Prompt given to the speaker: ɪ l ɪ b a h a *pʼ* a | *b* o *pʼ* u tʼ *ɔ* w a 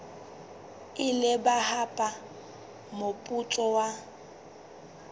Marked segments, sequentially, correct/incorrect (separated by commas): correct, incorrect, correct, correct